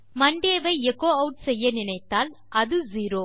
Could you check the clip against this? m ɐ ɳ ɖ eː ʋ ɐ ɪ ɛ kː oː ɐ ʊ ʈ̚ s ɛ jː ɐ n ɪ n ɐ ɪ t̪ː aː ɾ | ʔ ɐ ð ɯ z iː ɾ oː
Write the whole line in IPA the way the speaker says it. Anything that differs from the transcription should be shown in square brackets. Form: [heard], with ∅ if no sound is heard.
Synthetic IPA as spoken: m ɐ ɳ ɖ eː ʋ ɐ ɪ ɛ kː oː ɐ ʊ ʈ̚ s ɛ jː ɐ n ɪ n ɐ ɪ t̪ː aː [l] | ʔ ɐ ð ɯ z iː ɾ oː